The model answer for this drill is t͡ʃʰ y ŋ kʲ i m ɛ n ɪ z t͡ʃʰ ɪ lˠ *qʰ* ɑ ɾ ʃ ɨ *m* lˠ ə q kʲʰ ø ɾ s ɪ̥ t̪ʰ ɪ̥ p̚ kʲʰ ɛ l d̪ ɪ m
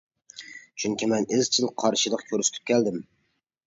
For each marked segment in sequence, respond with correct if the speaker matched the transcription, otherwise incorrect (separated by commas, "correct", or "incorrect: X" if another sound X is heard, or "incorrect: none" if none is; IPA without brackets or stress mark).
correct, incorrect: none